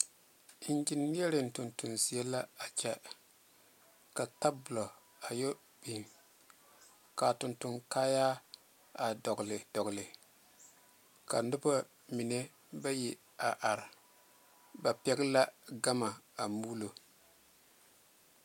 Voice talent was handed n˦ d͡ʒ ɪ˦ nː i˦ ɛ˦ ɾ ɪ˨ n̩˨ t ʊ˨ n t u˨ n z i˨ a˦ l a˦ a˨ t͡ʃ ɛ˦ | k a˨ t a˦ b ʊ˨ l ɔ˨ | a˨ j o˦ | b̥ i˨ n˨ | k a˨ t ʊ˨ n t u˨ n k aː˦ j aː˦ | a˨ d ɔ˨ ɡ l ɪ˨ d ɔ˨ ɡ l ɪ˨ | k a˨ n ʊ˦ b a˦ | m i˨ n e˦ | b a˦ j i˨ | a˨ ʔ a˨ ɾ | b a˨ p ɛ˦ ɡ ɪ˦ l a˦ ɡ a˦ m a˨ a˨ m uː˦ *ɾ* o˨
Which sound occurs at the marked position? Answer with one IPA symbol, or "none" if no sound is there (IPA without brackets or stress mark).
l